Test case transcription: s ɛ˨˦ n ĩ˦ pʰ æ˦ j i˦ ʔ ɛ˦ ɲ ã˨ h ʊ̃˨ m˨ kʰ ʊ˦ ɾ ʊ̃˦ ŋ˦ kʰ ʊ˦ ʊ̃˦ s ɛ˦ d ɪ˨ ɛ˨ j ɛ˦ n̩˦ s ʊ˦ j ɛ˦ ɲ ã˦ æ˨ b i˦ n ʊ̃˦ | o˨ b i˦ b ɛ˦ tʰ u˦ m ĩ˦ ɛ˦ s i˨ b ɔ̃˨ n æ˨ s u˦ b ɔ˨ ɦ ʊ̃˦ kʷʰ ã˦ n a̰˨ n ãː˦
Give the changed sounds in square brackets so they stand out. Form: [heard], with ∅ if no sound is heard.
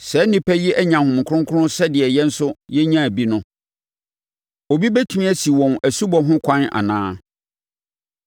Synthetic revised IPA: s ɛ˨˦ n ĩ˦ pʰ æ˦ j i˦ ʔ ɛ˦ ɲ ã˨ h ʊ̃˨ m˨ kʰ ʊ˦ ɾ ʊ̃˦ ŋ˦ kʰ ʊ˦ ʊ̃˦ s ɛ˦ d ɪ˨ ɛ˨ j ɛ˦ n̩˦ s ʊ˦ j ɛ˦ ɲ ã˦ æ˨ b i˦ n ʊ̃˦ | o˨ b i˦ b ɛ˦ tʰ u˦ m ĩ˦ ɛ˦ s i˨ [w] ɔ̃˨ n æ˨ s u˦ b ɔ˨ ɦ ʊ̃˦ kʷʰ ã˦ n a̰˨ n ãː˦